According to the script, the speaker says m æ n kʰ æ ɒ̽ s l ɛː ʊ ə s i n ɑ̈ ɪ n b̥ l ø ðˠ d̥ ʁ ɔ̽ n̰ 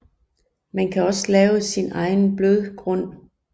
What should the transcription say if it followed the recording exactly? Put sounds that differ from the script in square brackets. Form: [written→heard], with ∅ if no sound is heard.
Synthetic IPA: m æ n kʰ æ ɒ̽ s l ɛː ʊ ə s i n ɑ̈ ɪ n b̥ l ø ðˠ [d̥→ɡ̥] ʁ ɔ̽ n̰